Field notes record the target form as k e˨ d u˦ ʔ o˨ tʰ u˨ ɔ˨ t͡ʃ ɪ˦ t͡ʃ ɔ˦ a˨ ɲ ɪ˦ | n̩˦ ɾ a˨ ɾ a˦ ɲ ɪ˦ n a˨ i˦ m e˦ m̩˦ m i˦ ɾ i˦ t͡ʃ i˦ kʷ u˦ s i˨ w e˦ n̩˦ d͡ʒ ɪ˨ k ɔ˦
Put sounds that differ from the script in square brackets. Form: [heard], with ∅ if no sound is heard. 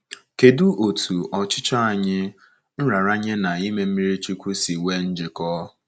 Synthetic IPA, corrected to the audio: k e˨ d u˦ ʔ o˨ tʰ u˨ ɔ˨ t͡ʃ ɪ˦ t͡ʃ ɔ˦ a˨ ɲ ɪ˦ | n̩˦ ɾ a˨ ɾ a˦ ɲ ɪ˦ n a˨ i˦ m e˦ m̩˦ m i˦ ɾ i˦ t͡ʃ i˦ kʷ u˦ s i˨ w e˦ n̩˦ d͡ʒ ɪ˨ k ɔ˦